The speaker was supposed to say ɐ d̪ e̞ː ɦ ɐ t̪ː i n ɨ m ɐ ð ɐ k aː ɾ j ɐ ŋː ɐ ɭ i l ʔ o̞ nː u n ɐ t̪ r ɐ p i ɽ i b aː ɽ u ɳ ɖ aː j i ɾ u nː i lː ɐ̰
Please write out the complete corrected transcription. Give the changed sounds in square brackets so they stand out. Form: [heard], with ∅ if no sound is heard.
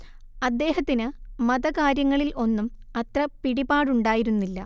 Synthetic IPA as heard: ɐ [d̪ː] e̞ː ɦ ɐ t̪ː i n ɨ m ɐ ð ɐ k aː ɾ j ɐ ŋː ɐ ɭ i l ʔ o̞ nː u [m] ɐ t̪ r ɐ p i ɽ i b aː ɽ u ɳ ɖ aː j i ɾ u nː i lː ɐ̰